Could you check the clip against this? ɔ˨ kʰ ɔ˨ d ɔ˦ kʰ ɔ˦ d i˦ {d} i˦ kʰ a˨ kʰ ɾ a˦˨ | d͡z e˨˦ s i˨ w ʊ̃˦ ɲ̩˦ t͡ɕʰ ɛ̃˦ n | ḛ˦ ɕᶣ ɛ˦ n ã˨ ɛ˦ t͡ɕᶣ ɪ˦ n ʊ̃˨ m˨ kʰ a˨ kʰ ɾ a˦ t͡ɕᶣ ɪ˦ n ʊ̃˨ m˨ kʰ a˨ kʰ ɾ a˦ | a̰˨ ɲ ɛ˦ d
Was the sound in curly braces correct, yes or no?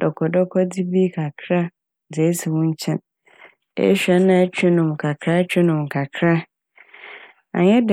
no